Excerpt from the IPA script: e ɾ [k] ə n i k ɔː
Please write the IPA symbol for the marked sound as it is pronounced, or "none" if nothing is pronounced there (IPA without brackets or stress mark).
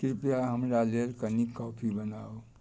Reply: k